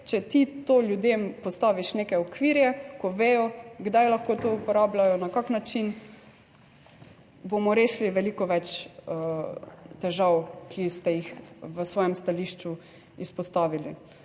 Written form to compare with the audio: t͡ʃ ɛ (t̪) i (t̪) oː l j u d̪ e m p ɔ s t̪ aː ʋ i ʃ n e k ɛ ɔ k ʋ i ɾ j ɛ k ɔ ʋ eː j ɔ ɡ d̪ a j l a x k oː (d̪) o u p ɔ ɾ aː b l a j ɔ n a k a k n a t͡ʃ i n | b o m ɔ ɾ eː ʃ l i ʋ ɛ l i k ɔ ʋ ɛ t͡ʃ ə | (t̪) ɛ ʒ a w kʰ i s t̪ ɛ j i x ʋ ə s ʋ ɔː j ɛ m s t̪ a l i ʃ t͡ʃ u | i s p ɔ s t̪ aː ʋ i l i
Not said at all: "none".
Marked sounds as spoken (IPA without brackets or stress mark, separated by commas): t̪, t̪, t̪, t̪